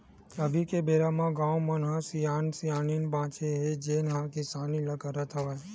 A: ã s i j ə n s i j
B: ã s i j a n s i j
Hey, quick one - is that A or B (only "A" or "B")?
B